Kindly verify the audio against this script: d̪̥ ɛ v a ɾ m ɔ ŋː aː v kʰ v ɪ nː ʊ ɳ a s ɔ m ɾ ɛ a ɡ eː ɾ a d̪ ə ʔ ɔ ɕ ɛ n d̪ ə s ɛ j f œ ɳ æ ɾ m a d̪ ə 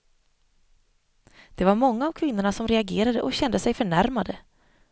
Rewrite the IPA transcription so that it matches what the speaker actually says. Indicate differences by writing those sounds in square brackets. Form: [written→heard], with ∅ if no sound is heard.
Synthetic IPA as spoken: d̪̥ ɛ v a ɾ m ɔ ŋː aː v kʰ v ɪ nː ʊ ɳ a s ɔ m ɾ ɛ a ɡ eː ɾ a d̪ ə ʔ ɔ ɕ ɛ n d̪ ə s ɛ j f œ ɳ æ ɾ m a d̪ ə